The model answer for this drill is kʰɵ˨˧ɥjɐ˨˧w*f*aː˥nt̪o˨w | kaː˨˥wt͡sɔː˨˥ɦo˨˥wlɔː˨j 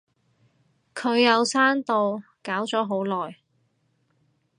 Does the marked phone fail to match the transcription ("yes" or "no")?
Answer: yes